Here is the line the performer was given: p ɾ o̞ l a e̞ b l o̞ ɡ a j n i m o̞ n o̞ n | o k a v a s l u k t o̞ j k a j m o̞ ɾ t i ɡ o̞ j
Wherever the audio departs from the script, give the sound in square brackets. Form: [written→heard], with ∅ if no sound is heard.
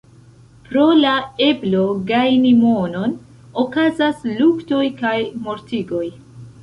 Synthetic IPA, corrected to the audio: p ɾ o̞ l a e̞ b l o̞ ɡ a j n i m o̞ n o̞ n | o k a [v→z] a s l u k t o̞ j k a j m o̞ ɾ t i ɡ o̞ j